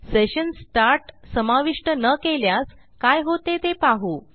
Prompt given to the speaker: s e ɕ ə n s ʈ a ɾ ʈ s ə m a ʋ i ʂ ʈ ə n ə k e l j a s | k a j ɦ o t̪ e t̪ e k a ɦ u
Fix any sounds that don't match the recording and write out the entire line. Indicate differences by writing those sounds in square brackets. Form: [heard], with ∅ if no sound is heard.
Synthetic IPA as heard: s e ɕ ə n s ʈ a ɾ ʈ s ə m a ʋ i ʂ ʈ ə n ə k e l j a s | k a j ɦ o t̪ e t̪ e [p] a ɦ u